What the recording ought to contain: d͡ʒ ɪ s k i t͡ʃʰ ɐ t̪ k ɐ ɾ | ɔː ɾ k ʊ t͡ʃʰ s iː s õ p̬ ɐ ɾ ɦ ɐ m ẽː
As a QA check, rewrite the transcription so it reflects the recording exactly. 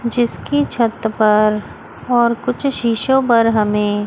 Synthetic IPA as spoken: d͡ʒ ɪ s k i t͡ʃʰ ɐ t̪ p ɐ ɾ | ɔː ɾ k ʊ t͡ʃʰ ʃ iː ʃ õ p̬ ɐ ɾ ɦ ɐ m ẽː